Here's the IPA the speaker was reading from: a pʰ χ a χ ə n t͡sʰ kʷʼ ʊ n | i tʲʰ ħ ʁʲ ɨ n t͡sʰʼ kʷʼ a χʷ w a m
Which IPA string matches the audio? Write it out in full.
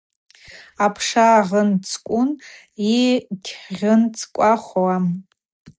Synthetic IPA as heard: a pʰ ʂ a ʁ ə n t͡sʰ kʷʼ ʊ n | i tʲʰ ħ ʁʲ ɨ n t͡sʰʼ kʷʼ a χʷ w a m

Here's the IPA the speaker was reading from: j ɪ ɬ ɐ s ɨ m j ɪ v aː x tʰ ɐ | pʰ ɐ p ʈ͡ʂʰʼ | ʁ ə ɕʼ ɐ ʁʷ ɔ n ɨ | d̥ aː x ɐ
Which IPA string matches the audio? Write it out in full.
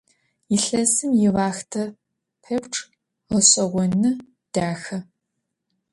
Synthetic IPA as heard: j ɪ ɬ ɐ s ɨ m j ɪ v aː x tʰ ɐ | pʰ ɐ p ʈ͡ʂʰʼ | ʁ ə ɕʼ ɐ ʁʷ ɔ n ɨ | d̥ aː x ɐ

